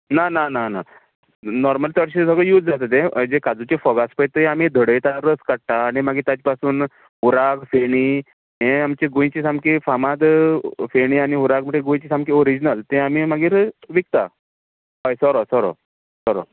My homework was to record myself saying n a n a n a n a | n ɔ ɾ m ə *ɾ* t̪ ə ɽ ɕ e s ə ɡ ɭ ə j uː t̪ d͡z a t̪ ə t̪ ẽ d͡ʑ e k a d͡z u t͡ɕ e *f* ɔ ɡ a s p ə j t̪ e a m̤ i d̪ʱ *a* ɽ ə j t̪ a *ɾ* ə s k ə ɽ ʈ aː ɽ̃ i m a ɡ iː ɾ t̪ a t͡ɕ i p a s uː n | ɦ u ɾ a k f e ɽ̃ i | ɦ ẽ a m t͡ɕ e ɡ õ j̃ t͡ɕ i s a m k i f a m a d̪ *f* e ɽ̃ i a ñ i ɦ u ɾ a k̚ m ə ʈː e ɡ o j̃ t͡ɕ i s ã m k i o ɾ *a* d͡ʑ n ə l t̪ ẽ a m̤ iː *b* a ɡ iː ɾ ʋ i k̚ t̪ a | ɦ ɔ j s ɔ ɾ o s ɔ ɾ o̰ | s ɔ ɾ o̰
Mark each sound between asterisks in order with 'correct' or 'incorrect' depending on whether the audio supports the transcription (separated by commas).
incorrect, correct, incorrect, correct, correct, incorrect, incorrect